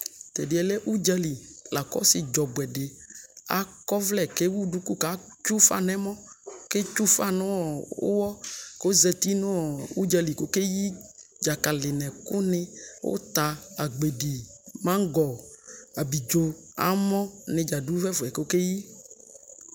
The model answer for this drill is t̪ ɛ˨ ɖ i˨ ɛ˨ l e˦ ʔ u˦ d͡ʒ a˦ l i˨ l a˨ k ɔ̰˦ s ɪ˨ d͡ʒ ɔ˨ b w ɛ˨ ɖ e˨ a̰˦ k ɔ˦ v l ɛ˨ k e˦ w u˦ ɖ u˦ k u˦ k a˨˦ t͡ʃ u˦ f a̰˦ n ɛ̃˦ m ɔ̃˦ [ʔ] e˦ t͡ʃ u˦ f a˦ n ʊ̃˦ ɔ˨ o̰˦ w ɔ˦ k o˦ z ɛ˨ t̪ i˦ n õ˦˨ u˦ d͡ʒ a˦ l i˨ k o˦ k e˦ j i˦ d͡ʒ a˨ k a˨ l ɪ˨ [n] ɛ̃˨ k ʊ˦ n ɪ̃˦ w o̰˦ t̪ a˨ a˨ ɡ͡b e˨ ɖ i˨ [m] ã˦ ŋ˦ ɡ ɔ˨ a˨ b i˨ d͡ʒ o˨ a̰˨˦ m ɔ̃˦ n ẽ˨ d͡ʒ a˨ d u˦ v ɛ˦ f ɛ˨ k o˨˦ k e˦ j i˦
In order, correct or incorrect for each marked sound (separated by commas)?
incorrect, correct, correct